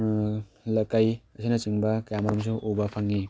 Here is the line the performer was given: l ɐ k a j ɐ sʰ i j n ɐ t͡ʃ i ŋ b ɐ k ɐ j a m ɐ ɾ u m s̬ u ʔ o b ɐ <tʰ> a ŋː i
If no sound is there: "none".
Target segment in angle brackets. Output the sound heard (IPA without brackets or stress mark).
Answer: pʰ